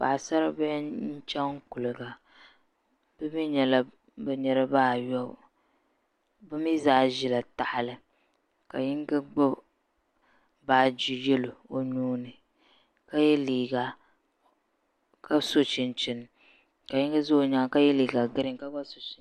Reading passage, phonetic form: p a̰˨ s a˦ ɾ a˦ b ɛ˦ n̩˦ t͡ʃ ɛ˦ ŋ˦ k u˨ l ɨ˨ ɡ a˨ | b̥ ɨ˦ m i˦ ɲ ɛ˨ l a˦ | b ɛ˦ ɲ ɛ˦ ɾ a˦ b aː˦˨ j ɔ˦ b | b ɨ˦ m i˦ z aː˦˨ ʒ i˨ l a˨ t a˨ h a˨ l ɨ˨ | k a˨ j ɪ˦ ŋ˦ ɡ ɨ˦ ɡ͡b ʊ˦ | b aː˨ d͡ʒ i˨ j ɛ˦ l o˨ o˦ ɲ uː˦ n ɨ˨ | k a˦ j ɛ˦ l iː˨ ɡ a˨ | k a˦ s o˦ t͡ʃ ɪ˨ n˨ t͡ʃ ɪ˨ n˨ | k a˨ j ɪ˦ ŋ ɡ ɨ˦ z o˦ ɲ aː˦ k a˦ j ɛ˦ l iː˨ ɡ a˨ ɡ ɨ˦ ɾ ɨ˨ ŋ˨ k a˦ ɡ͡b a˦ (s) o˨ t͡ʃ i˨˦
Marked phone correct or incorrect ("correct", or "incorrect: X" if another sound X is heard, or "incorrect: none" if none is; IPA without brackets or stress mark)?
correct